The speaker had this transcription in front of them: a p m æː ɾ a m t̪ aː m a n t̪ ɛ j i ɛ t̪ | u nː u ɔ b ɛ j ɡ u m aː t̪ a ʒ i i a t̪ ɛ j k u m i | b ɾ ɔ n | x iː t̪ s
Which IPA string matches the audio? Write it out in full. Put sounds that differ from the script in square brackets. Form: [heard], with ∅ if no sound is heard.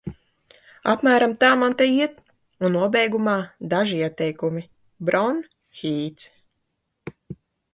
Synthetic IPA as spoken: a p m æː ɾ a m t̪ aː m a n t̪ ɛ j i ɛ t̪ | u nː u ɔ b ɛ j ɡ u m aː [d̪] a ʒ i i [ɛ] t̪ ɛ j k u m i | b ɾ ɔ n | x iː t̪ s

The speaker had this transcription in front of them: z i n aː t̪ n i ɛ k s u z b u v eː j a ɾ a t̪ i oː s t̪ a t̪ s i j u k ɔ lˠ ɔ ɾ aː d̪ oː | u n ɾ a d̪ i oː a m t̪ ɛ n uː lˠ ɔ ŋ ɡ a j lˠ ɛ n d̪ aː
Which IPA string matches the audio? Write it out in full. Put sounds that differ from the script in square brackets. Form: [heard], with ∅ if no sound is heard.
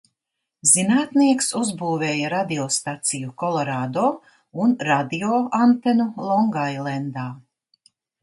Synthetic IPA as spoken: z i n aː t̪ n i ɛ k s u z b [uː] v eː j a ɾ a [d̪] i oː s t̪ a t̪ s i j u k ɔ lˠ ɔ ɾ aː d̪ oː | u n ɾ a d̪ i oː a [n] t̪ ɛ n [u] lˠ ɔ ŋ ɡ a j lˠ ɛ n d̪ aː

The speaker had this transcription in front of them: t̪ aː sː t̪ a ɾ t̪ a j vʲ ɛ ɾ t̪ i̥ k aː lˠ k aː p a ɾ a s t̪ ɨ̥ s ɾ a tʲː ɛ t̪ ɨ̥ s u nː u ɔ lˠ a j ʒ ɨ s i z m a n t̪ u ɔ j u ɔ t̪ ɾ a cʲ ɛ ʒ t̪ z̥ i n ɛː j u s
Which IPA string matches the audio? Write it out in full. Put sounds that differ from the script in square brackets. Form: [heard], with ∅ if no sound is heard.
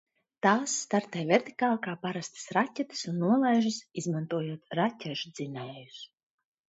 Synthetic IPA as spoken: t̪ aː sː t̪ a ɾ t̪ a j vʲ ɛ ɾ t̪ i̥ k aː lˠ k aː p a ɾ a s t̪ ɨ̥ s ɾ a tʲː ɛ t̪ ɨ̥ s u nː u ɔ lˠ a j ʒ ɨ s i z m a n t̪ u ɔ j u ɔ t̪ ɾ a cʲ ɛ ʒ [d̪] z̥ i n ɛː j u s

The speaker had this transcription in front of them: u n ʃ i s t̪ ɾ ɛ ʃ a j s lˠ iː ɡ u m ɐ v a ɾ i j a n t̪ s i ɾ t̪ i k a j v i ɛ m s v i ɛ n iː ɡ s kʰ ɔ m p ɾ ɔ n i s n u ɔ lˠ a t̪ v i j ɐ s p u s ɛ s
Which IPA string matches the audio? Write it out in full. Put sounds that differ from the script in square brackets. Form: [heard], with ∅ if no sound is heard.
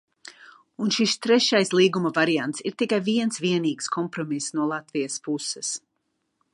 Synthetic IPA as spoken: u n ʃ i s t̪ ɾ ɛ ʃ a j s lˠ iː ɡ u m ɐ v a ɾ i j a n t̪ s i ɾ t̪ i k a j v i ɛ [n] s v i ɛ n iː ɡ s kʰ ɔ m p ɾ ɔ [m] i s n u ɔ lˠ a t̪ v i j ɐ s p u s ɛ s

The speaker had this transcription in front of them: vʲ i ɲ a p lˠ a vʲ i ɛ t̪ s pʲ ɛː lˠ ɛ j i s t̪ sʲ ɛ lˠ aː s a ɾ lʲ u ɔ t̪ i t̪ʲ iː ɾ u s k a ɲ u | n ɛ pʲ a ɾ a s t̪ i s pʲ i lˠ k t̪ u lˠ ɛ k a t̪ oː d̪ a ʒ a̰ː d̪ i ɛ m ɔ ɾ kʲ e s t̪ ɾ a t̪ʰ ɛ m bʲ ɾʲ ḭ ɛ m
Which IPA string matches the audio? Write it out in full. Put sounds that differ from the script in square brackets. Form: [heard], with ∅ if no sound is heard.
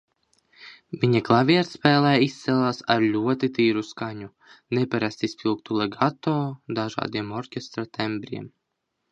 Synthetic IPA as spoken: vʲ i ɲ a [k] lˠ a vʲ i ɛ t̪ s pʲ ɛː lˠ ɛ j i s t̪ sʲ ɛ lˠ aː s a ɾ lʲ u ɔ t̪ i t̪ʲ iː ɾ u s k a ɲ u | n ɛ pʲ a ɾ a s t̪ i s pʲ i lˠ k t̪ u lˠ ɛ [ɡ] a t̪ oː d̪ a ʒ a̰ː d̪ i ɛ m ɔ ɾ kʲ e s t̪ ɾ a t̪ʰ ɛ m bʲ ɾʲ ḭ ɛ m

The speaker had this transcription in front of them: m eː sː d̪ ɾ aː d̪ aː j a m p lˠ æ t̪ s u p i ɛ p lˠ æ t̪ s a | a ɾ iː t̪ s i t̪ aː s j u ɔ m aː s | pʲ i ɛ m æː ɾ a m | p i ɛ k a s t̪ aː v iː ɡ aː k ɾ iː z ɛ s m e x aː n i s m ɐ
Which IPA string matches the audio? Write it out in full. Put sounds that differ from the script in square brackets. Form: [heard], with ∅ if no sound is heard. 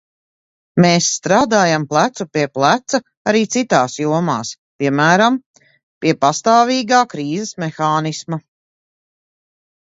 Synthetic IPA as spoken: m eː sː [t̪] ɾ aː d̪ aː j a m p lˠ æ t̪ s u p i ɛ p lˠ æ t̪ s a | a ɾ iː t̪ s i t̪ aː s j u ɔ m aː s | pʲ i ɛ m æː ɾ a m | p i ɛ [p] a s t̪ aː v iː ɡ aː k ɾ iː z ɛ s m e x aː n i s m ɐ

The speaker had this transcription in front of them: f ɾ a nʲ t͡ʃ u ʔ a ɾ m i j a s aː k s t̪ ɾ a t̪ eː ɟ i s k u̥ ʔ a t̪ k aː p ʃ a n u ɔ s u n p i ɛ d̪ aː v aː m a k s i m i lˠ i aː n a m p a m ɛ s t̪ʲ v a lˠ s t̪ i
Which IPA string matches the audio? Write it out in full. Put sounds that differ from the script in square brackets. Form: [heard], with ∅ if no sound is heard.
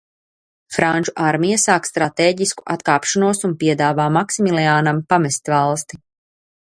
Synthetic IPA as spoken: f ɾ a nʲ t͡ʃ u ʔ a ɾ m i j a s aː k s t̪ ɾ a t̪ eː ɟ i s k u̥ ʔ a t̪ k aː p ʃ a n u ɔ s u n p i ɛ d̪ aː v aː m a k s i m i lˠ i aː n a m p a m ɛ s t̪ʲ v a lˠ s t̪ i

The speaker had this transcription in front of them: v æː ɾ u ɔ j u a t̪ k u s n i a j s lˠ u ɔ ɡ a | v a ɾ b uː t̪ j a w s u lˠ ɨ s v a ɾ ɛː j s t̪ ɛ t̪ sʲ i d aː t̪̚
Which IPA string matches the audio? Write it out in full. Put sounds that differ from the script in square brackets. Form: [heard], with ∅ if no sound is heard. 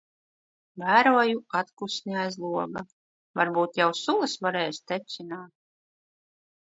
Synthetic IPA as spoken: v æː ɾ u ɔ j u a t̪ k u s n i a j [z] lˠ u ɔ ɡ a | v a ɾ b uː t̪ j a w s u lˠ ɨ s v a ɾ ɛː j s t̪ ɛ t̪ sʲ i [n] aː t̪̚

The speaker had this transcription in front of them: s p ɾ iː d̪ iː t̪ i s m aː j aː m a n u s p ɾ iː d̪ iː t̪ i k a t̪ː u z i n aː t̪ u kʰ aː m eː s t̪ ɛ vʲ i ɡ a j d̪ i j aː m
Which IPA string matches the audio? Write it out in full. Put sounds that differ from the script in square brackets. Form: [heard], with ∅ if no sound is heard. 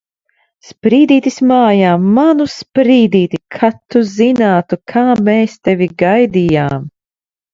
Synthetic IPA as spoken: s p ɾ iː d̪ iː t̪ i s m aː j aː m a n u s p ɾ iː d̪ iː t̪ i [kʰ] a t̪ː u z i n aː t̪ u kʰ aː m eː s t̪ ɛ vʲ i ɡ a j d̪ i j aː m

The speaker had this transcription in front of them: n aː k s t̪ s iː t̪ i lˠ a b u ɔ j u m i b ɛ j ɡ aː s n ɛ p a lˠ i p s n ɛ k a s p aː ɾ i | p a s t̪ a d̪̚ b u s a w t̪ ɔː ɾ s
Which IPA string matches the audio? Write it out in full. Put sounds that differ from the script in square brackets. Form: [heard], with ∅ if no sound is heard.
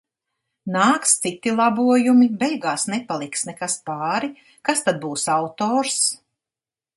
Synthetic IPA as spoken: n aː k s t̪ s [i] t̪ i lˠ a b u ɔ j u m i b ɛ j ɡ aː s n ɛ p a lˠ i [k] s n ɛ k a s p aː ɾ i | [k] a s t̪ a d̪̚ b [uː] s a w t̪ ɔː ɾ s

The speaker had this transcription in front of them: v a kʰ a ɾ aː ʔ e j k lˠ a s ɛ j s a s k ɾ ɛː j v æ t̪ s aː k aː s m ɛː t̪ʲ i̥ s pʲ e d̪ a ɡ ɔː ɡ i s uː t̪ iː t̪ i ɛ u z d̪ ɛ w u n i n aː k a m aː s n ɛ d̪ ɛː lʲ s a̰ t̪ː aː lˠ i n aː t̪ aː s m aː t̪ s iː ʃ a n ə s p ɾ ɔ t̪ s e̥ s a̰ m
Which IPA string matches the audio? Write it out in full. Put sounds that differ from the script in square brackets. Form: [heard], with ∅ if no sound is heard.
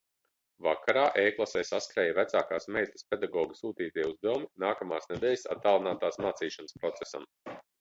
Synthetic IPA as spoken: v a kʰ a ɾ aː ʔ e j k lˠ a s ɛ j s a s k ɾ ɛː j v æ t̪ s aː k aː s m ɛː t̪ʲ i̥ s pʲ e d̪ a ɡ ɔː ɡ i s uː t̪ iː t̪ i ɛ u z d̪ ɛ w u [m] i n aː k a m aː s n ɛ d̪ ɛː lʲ s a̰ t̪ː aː lˠ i n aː t̪ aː s m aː t̪ s iː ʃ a n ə s p ɾ ɔ t̪ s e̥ s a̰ m

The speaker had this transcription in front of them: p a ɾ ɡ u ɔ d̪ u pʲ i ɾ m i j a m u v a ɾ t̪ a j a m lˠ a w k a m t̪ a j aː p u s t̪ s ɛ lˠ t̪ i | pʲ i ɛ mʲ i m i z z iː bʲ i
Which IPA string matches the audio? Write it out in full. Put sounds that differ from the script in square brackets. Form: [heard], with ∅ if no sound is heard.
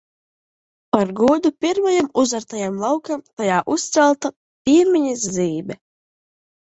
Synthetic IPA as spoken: p a ɾ ɡ u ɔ d̪ u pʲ i ɾ m [a] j a m u [z] a ɾ t̪ a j a m lˠ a w k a m t̪ a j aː [ʔ] u s t̪ s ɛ lˠ t̪ [a] | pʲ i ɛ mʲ i [ɲ] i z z iː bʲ [ɛ]

